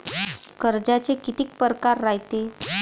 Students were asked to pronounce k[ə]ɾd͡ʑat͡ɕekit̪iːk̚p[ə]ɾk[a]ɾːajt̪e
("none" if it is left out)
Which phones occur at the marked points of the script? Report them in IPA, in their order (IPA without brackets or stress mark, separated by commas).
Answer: ə, ə, a